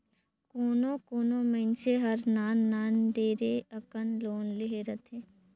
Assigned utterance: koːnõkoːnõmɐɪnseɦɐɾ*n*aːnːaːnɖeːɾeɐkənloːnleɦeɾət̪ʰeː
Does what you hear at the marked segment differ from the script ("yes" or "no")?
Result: no